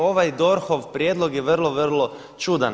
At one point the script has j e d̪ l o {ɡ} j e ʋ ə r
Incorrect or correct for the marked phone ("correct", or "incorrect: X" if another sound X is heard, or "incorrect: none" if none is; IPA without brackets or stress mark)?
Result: correct